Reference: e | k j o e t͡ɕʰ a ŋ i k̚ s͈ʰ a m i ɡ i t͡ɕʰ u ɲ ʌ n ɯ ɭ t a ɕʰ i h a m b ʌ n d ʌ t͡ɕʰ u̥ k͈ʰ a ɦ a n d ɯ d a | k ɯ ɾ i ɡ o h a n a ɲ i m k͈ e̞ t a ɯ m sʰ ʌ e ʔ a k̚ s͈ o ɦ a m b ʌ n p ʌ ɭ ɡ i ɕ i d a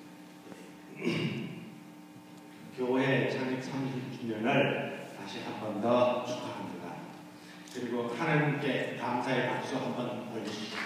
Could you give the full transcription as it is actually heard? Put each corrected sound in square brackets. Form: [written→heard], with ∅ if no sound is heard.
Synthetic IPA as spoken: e | k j o e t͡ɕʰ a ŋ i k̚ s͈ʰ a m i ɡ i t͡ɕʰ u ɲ ʌ n ɯ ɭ t a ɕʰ i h a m b ʌ n d ʌ t͡ɕʰ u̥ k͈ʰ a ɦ a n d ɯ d a | k ɯ ɾ i ɡ o h a n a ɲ i m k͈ e̞ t a ɯ m sʰ [ʌ→a] e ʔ a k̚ s͈ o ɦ a m b ʌ n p ʌ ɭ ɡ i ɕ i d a